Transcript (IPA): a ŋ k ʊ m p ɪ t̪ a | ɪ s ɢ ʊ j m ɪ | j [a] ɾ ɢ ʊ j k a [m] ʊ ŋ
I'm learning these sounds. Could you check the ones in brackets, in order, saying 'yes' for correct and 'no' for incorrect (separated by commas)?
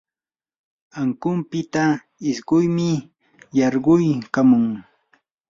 no, yes